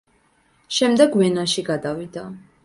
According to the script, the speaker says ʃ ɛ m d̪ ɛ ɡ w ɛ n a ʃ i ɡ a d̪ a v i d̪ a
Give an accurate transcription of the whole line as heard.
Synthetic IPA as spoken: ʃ ɛ m d̪ ɛ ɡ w ɛ n a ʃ i ɡ a d̪ a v i d̪ a